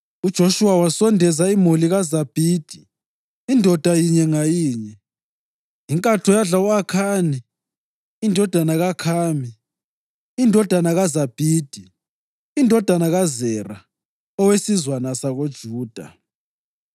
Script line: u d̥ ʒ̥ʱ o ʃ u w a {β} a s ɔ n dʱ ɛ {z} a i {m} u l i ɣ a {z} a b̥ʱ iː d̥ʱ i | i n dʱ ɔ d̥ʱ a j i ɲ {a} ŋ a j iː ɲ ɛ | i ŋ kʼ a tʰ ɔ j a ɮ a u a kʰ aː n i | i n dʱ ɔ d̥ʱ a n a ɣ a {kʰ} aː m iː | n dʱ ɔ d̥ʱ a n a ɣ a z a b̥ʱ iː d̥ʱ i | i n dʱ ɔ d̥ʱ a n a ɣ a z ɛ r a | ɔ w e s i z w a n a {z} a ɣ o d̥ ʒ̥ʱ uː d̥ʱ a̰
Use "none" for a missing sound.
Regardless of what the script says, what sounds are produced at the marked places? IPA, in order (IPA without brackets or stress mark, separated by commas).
w, z, m, z, ɛ, kʰ, s